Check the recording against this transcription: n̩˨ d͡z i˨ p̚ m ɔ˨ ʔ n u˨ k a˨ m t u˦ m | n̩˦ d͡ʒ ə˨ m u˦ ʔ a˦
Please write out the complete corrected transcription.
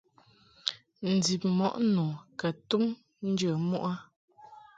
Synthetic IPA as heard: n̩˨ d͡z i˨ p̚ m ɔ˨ ʔ n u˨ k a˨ t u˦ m | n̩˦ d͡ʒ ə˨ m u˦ ʔ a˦